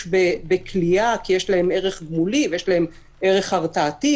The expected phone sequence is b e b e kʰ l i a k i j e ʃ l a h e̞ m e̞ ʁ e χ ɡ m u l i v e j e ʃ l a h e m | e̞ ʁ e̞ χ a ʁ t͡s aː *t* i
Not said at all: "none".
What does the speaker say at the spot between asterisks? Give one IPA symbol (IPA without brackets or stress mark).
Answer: t